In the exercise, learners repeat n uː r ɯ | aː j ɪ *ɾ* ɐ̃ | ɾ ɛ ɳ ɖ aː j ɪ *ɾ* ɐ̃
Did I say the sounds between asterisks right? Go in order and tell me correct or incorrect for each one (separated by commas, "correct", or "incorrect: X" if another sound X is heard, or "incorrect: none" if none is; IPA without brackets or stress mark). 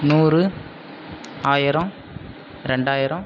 correct, correct